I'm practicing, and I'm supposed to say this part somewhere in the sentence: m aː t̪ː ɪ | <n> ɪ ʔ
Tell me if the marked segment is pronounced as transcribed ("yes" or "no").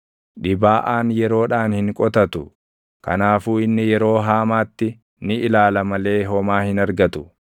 yes